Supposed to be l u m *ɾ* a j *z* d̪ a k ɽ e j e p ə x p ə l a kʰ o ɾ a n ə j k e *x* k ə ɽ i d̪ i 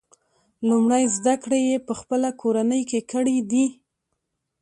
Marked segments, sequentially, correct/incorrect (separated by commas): incorrect, correct, incorrect